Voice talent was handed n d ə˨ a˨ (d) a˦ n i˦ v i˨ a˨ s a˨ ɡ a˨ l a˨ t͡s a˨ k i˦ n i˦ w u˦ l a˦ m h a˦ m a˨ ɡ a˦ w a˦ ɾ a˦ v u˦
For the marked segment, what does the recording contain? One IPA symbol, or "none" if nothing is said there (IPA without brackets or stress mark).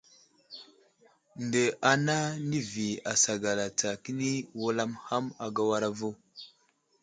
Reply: n